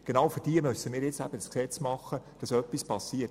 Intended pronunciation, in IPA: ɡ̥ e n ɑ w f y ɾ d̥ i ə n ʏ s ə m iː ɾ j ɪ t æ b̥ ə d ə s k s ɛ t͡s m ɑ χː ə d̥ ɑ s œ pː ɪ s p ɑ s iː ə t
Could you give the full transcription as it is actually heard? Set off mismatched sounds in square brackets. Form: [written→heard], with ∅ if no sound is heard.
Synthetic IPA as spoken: ɡ̥ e n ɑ w f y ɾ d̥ i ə [n→m] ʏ s ə m iː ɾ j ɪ [t→t͡s] æ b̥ ə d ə s k s ɛ t͡s m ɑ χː ə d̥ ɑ s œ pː [ɪ→i] s p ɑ s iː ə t